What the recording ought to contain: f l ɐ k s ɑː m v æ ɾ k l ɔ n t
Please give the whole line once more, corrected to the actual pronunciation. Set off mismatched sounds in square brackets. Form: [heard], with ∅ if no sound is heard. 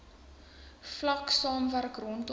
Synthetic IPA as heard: f l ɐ k s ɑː m v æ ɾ k [r] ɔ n t